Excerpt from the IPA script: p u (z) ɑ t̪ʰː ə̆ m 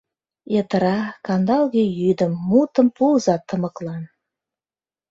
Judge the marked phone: correct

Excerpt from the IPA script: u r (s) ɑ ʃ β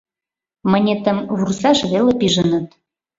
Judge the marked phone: correct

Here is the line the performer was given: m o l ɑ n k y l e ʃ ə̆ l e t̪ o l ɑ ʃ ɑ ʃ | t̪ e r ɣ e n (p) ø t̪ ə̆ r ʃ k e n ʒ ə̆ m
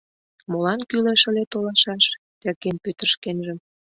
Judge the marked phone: correct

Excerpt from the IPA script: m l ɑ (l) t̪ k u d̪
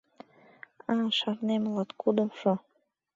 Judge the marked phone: incorrect: none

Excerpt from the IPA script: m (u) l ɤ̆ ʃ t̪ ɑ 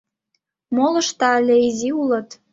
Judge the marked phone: incorrect: o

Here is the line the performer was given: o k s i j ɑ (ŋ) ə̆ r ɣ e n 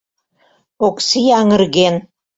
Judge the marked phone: correct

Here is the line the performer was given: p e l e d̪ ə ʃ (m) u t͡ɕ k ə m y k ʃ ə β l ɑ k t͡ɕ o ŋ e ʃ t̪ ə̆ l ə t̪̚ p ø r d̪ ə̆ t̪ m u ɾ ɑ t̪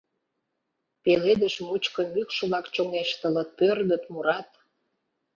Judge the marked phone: correct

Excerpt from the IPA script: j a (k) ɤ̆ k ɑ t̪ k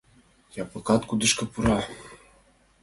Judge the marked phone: incorrect: p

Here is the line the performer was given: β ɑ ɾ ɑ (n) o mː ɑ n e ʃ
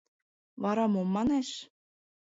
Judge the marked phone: incorrect: m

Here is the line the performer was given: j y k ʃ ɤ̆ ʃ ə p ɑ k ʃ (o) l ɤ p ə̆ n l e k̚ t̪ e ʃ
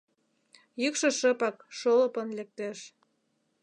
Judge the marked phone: correct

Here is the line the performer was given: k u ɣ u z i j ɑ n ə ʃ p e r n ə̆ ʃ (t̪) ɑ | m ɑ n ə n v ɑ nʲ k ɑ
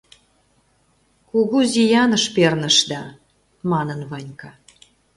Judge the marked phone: incorrect: d̪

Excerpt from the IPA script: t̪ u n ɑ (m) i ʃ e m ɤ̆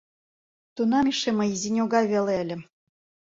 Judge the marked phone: correct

